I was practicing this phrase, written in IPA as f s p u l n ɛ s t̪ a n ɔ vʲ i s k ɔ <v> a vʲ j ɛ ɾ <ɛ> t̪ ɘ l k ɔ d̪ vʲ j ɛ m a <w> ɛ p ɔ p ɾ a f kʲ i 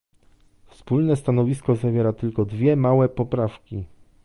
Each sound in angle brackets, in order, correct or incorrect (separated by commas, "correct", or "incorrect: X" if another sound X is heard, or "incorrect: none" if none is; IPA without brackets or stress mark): incorrect: z, incorrect: a, correct